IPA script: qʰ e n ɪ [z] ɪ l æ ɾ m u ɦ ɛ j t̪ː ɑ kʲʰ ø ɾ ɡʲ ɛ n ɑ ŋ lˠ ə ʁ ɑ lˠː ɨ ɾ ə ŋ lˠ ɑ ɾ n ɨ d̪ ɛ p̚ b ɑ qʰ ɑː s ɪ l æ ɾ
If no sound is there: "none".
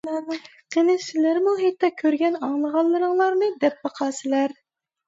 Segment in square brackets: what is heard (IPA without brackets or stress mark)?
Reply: s